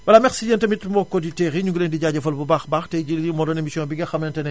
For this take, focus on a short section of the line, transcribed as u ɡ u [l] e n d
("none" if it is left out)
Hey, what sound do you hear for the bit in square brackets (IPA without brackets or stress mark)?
l